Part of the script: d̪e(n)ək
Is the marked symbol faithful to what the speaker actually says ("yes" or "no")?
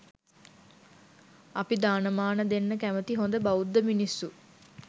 no